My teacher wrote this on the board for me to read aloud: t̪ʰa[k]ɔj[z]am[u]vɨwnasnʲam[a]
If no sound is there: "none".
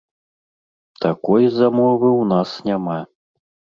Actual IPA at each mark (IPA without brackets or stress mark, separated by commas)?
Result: k, z, ɔ, a